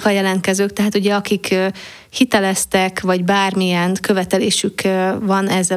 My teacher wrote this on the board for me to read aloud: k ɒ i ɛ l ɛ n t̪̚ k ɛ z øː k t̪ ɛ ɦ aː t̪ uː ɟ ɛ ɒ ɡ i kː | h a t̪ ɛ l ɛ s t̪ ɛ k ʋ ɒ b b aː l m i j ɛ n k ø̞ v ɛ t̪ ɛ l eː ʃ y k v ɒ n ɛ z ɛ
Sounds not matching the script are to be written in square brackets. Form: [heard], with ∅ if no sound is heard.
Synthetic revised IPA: k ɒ [j] ɛ l ɛ n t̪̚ k ɛ z øː k t̪ ɛ ɦ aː t̪ [u] ɟ ɛ ɒ [k] i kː | h [i] t̪ ɛ l ɛ s t̪ ɛ k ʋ ɒ [ɟ] b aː [r] m i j ɛ n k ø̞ v ɛ t̪ ɛ l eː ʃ y k v ɒ n ɛ z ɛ